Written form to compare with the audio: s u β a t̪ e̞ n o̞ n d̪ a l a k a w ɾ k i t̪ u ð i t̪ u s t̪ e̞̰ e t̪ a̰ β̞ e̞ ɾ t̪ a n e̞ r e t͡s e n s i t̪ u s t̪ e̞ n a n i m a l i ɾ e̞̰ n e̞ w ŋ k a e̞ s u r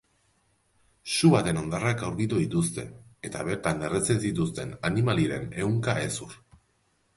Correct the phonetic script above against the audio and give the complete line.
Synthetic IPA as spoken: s u β a t̪ e̞ n o̞ n d̪ a r a k a w ɾ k i t̪ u ð i t̪ u s t̪ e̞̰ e t̪ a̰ β̞ e̞ ɾ t̪ a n e̞ r e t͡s e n s i t̪ u s t̪ e̞ n a n i m a l i ɾ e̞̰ n e̞ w ŋ k a e̞ s u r